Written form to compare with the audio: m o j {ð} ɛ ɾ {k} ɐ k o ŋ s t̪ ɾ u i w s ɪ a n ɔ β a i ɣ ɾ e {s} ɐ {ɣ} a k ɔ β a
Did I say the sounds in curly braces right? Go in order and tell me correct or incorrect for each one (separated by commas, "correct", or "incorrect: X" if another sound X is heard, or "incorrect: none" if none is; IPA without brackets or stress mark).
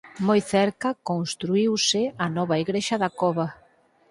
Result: incorrect: θ, correct, incorrect: ʃ, incorrect: ð